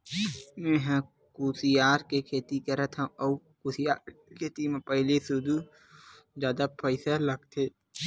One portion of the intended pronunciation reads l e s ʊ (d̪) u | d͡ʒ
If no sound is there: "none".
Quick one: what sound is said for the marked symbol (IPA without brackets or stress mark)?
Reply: d̪